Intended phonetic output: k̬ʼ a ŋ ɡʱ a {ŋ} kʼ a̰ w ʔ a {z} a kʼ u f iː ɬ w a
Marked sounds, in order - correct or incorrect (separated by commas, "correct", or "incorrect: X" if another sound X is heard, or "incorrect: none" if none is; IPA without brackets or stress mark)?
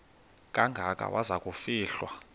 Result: incorrect: none, correct